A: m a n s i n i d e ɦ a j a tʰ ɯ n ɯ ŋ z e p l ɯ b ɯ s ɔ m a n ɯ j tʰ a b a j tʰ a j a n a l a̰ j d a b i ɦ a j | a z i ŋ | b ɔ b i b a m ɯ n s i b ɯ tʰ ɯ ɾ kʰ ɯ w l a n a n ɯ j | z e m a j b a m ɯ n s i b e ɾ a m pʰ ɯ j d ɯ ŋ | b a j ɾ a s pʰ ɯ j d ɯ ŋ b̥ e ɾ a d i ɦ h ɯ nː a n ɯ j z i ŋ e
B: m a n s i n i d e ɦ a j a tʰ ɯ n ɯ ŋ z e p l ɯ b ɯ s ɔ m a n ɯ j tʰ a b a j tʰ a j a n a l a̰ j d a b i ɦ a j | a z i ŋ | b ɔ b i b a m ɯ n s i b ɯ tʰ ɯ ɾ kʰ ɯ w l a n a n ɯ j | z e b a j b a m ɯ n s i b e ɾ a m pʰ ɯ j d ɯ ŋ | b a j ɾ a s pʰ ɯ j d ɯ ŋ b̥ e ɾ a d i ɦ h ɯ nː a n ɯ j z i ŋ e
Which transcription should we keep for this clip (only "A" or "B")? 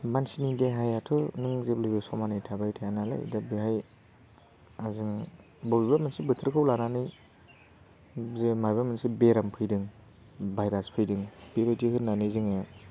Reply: A